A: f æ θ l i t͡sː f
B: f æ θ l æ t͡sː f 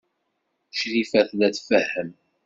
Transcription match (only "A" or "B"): B